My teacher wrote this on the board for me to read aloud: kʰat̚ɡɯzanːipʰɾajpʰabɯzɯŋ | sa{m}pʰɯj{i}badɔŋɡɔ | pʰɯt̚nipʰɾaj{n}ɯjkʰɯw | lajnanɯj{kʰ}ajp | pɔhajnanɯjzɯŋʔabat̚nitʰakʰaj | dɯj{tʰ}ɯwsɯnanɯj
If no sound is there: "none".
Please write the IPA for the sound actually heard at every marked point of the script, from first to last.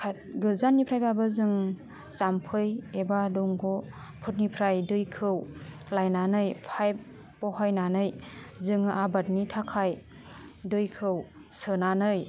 m, e, d, pʰ, kʰ

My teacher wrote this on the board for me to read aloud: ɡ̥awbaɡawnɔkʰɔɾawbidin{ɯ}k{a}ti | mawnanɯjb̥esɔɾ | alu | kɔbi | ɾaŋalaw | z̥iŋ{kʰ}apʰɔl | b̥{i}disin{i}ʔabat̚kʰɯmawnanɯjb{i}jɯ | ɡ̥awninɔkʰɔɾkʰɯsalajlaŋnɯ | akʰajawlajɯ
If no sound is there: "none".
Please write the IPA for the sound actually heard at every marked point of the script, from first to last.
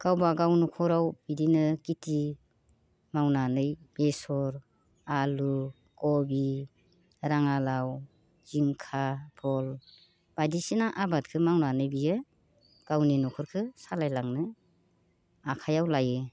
ɯ, i, kʰ, a, a, i

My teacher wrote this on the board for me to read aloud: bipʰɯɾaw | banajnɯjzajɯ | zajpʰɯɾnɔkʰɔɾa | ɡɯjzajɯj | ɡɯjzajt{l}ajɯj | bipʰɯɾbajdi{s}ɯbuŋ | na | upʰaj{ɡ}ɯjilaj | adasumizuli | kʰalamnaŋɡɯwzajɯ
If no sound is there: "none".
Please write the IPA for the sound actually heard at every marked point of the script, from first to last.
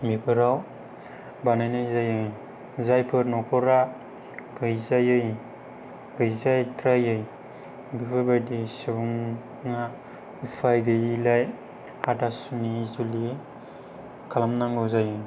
ɾ, s, ɡ

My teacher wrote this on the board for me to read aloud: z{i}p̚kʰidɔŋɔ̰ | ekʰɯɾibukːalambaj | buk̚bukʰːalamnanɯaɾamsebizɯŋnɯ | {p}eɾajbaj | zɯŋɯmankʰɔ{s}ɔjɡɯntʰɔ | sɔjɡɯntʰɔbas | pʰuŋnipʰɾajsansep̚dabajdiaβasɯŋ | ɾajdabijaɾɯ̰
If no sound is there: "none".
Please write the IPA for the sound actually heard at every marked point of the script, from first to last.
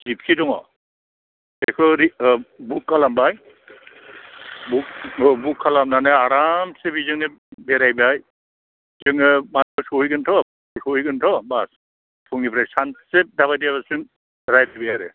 i, b, s

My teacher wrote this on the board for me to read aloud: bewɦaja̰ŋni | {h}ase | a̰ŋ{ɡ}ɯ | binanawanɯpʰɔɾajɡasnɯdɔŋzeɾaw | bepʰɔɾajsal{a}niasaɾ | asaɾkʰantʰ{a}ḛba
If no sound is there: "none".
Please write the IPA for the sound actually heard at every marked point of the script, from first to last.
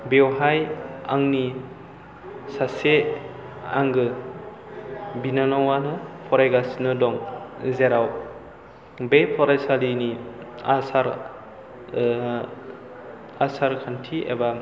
s, ɡ, i, i

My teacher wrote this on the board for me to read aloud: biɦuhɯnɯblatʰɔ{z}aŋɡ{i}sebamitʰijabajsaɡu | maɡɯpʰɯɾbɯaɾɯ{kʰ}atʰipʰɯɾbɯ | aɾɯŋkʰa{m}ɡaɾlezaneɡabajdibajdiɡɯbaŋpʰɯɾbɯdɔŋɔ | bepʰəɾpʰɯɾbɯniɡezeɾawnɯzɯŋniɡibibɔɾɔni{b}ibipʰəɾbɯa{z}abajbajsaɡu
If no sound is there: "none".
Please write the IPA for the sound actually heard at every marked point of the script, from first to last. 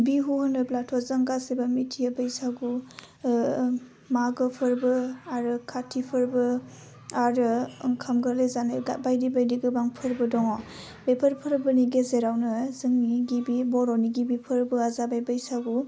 z, a, kʰ, m, ɡ, z

